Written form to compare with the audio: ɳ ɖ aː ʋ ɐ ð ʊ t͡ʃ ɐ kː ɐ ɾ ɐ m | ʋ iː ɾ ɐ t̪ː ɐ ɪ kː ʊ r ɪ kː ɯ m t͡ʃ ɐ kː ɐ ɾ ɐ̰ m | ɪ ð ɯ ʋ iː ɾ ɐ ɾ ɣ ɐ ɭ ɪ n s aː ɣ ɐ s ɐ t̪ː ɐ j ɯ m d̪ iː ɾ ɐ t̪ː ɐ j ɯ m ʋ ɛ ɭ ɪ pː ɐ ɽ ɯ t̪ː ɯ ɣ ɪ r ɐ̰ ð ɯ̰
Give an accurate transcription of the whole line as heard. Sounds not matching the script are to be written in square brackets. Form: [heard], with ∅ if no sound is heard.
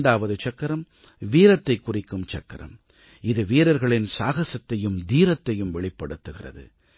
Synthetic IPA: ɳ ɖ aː ʋ ɐ ð [ɯ] t͡ʃ ɐ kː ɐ ɾ ɐ m | ʋ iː ɾ ɐ t̪ː ɐ ɪ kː ʊ r ɪ kː ɯ m t͡ʃ ɐ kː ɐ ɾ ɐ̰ m | ɪ ð ɯ ʋ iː ɾ ɐ ɾ ɣ ɐ ɭ ɪ n s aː ɣ ɐ s ɐ t̪ː ɐ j ɯ m d̪ iː ɾ ɐ t̪ː ɐ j ɯ m ʋ ɛ ɭ ɪ pː ɐ ɽ ɯ t̪ː ɯ ɣ ɪ r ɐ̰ ð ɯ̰